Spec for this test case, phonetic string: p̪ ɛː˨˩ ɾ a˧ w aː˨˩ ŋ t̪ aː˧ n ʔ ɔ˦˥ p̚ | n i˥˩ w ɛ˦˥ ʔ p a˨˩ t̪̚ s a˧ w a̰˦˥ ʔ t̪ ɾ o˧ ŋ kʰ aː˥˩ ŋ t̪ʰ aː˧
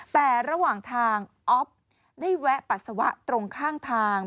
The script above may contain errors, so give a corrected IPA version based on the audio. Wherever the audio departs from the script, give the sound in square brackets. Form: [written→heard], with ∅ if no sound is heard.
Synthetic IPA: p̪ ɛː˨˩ ɾ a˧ w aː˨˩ ŋ [t̪→t̪ʰ] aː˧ [n→ŋ] ʔ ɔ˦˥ p̚ | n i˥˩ w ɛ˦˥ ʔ p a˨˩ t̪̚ s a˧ w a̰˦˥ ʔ t̪ ɾ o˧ ŋ kʰ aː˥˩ ŋ t̪ʰ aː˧